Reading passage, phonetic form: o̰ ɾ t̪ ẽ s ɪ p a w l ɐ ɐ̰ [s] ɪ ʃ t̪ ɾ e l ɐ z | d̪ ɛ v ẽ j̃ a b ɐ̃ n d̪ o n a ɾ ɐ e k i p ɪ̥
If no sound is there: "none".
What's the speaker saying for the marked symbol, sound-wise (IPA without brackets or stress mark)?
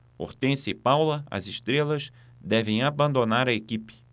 z